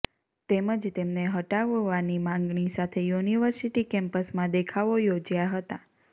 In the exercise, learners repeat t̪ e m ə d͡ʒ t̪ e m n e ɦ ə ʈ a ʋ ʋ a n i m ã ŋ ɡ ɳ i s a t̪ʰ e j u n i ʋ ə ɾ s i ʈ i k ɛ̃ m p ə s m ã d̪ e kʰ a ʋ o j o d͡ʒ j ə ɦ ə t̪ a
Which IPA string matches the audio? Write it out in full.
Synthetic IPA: t̪ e m ə d͡ʒ t̪ e m n e ɦ ə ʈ a ʋ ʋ a n i m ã ŋ ɡ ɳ i s a t̪ʰ e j u n i ʋ ə ɾ s i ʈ i k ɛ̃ m p ə s m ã d̪ e kʰ a ʋ o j o d͡ʒ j a ɦ ə t̪ a